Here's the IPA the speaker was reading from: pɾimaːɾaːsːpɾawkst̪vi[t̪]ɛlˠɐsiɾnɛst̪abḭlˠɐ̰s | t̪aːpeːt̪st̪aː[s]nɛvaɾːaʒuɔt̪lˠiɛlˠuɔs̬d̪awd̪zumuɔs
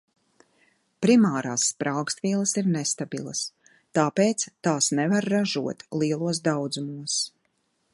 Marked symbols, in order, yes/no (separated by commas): no, yes